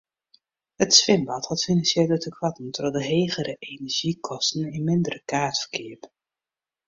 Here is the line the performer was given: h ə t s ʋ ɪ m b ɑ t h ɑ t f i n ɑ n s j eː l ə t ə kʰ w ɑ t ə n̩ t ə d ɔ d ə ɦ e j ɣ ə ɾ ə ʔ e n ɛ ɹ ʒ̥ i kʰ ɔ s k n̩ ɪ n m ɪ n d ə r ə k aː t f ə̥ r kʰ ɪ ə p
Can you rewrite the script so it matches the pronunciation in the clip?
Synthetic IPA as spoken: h ə t s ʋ ɪ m b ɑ t h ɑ t f i n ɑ n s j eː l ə t ə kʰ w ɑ t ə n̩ t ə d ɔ d ə ɦ e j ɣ ə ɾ ə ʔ e n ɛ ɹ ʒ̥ i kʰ ɔ s t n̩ ɪ n m ɪ n d ə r ə k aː t f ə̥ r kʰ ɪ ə p